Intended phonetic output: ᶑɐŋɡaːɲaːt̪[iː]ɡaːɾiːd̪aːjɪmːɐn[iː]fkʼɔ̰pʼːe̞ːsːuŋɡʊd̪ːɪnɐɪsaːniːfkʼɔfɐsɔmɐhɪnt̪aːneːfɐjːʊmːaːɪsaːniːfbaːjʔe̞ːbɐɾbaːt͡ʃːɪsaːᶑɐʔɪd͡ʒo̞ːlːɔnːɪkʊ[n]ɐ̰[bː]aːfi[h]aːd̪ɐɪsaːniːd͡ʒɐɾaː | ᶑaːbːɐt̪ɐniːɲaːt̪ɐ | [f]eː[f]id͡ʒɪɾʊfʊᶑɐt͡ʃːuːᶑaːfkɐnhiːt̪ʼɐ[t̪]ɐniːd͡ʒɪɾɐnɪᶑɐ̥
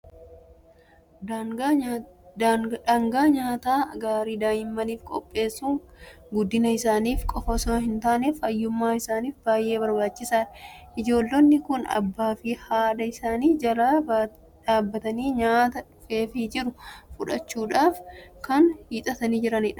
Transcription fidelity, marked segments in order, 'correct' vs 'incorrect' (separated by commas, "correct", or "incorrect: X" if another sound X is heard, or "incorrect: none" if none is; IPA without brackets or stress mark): incorrect: aː, correct, correct, correct, correct, correct, correct, correct